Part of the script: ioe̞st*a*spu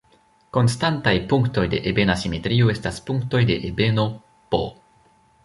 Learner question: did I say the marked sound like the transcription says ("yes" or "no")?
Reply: yes